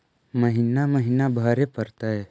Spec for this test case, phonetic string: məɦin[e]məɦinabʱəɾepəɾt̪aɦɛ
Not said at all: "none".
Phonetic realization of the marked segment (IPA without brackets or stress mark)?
a